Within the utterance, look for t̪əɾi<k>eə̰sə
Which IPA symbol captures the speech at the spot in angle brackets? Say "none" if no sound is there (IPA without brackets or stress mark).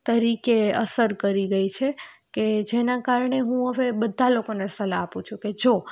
k